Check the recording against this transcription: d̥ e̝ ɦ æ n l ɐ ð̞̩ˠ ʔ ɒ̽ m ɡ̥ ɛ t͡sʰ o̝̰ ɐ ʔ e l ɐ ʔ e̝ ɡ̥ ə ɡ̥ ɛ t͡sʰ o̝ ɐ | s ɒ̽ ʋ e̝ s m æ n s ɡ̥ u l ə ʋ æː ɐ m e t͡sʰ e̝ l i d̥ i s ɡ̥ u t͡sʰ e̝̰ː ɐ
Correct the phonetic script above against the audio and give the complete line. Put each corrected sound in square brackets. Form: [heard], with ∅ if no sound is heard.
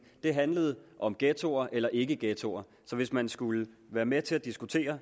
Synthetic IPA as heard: d̥ e̝ ɦ æ n l [ə] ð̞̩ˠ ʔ ɒ̽ m ɡ̥ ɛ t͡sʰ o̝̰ ɐ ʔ e l ɐ ʔ e̝ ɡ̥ ə ɡ̥ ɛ t͡sʰ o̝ ɐ | s ɒ̽ ʋ e̝ s m æ n s ɡ̥ u l ə ʋ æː ɐ m e t͡sʰ e̝ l [æ] d̥ i s ɡ̥ u t͡sʰ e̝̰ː ɐ